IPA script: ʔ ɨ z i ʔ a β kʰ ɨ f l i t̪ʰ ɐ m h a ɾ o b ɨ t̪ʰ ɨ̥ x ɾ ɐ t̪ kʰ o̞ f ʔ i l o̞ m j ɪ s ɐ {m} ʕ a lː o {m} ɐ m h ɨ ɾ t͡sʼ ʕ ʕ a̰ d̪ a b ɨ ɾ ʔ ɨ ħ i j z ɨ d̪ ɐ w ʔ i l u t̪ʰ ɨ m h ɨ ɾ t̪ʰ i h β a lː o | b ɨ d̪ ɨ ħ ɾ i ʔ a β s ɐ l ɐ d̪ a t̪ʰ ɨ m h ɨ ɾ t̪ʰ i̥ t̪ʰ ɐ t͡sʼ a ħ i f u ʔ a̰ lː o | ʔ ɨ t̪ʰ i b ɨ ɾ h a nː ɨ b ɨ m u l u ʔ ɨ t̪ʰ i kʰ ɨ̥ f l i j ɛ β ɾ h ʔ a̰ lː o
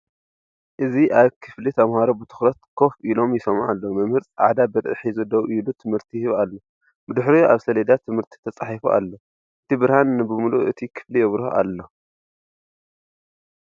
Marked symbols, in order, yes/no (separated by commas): yes, yes